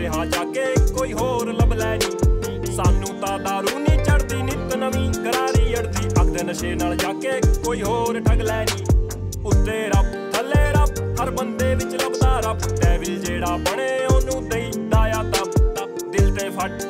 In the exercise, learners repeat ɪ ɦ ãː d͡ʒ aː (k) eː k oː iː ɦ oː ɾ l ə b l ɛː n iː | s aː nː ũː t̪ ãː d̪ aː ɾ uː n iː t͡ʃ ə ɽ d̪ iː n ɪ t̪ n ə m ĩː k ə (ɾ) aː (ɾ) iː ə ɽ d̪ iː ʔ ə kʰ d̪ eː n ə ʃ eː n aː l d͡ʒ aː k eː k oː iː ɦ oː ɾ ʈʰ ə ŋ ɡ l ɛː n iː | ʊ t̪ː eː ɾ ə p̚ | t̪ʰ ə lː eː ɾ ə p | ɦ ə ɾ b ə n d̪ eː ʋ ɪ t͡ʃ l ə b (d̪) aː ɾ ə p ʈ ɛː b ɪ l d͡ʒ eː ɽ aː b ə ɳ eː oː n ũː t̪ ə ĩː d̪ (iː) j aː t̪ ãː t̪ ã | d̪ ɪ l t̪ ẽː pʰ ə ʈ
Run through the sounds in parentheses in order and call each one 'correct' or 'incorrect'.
correct, correct, correct, correct, incorrect: aː

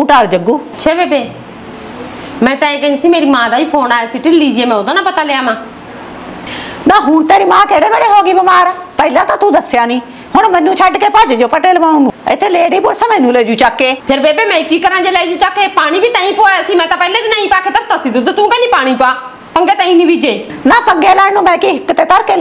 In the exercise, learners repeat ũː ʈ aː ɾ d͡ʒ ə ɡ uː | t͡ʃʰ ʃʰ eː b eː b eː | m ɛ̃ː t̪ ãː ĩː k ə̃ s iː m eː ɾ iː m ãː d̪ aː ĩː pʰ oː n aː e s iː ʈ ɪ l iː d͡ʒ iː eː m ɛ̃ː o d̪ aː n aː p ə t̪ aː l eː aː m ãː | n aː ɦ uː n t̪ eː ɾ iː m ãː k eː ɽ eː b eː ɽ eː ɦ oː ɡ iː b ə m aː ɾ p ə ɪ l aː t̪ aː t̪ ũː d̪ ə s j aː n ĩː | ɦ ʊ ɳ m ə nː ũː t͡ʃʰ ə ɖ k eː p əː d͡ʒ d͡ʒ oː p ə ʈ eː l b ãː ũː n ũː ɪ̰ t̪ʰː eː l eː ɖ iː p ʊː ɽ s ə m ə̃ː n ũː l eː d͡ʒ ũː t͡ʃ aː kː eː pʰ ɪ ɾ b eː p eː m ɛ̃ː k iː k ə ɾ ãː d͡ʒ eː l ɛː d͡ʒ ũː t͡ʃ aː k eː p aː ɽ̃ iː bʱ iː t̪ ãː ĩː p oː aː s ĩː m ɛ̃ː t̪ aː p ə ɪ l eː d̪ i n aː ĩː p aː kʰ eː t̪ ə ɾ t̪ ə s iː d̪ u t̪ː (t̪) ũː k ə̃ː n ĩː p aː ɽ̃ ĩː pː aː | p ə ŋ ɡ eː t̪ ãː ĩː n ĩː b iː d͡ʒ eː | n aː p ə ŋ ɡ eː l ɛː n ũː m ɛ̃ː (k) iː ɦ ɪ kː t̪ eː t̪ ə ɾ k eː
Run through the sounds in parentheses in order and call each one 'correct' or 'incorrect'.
correct, correct

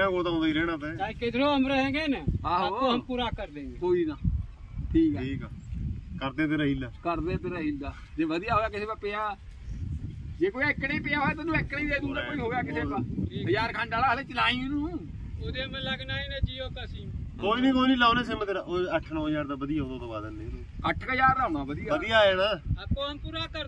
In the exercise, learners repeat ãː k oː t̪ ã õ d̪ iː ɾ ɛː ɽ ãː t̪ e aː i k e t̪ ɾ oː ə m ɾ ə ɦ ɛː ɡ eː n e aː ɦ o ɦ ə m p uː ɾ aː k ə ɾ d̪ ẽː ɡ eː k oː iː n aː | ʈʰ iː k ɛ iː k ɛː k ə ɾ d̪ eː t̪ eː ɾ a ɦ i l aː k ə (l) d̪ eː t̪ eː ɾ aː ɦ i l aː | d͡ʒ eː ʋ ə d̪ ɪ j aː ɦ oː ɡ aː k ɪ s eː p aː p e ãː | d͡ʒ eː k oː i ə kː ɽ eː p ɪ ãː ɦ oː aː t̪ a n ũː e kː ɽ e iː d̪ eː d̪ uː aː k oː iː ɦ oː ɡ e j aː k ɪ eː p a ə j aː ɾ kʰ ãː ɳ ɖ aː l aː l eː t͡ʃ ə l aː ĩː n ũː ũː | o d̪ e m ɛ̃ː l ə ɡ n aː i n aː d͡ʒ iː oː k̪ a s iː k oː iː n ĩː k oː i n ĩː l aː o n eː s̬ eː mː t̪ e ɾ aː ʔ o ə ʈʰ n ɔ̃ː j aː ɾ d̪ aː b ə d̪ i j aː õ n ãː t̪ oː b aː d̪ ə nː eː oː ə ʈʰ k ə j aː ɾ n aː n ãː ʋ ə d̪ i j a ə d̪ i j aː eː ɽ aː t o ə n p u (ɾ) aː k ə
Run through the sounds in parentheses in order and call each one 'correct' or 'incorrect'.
incorrect: ɾ, correct

